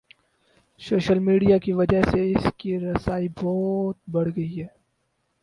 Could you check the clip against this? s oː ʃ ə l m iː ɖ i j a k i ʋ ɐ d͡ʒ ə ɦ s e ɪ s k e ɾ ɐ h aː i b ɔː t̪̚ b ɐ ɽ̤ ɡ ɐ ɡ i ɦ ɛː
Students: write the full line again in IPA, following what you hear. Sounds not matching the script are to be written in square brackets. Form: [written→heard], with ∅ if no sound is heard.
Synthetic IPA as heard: s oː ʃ ə l m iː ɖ i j a k i ʋ ɐ d͡ʒ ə ɦ s e ɪ s k [e→i] ɾ ɐ [h→s] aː i b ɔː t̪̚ b ɐ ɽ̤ ɡ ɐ [ɡ→∅] i ɦ ɛː